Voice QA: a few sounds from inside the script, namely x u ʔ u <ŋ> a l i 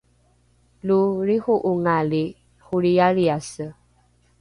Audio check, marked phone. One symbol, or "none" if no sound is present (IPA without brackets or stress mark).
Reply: ŋ